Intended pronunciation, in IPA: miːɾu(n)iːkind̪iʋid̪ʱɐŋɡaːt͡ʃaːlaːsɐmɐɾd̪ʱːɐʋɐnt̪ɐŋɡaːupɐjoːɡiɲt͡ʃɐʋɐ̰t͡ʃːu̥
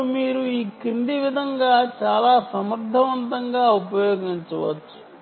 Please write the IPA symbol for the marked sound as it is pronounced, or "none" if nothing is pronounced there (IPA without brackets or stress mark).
none